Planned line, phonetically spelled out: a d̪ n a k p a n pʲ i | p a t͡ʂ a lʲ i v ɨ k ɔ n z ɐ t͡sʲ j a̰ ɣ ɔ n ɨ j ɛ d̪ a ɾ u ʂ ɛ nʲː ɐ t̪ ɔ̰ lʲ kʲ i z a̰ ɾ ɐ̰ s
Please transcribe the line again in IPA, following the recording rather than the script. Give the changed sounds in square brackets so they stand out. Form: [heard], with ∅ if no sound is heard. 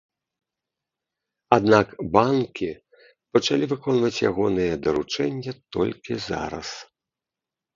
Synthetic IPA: a d̪ n a k [b] a n [kʲ] i | p [ɐ] t͡ʂ a lʲ i v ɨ k ɔ n [v] ɐ t͡sʲ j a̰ ɣ ɔ n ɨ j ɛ d̪ [ɐ] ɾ u [t͡ʂ] ɛ nʲː ɐ t̪ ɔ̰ lʲ kʲ i z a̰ ɾ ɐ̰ s